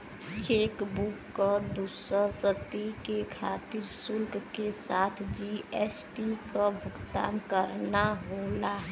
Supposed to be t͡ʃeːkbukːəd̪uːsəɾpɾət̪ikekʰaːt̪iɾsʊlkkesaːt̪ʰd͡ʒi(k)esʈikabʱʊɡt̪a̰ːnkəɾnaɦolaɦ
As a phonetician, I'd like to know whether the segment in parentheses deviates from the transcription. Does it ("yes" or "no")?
yes